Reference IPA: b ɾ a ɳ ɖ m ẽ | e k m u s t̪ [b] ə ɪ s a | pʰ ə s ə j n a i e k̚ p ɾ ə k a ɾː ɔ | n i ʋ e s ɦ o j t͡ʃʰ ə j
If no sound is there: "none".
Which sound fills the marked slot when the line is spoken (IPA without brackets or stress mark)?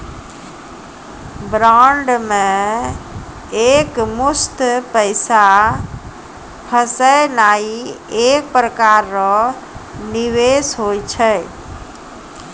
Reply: p